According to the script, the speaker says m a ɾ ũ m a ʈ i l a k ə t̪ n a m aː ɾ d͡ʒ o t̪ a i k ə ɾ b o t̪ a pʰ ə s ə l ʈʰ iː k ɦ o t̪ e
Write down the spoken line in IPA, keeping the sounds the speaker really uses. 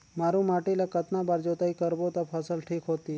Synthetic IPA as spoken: m a ɾ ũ m a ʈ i l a k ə t̪ n a b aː ɾ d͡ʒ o t̪ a i k ə ɾ b o t̪ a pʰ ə s ə l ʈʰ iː k ɦ o t̪ i